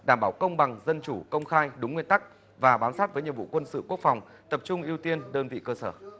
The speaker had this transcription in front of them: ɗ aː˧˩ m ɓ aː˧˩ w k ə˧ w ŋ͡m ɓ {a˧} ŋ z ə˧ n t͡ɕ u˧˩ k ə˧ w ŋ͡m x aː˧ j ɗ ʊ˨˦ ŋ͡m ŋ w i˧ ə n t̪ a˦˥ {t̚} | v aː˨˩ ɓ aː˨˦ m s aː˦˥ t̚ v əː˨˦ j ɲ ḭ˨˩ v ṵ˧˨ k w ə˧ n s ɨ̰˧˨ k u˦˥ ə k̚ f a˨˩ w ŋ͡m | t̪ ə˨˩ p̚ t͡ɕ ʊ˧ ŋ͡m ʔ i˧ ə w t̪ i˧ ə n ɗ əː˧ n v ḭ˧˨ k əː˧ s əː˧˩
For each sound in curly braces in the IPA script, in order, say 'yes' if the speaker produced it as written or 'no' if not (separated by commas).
no, no